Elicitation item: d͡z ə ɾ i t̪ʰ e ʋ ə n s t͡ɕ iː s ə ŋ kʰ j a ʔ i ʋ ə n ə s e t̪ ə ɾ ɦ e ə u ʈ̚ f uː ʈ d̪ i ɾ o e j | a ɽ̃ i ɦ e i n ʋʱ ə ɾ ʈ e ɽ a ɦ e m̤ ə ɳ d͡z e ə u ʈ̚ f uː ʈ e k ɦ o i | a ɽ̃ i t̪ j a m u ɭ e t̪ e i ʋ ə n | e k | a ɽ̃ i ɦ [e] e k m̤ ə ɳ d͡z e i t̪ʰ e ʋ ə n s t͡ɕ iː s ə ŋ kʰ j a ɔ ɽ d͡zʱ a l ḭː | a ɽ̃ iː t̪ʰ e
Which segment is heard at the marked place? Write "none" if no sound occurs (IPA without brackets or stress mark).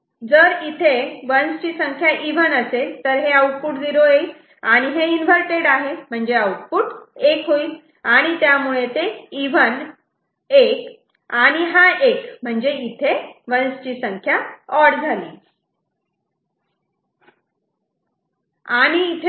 a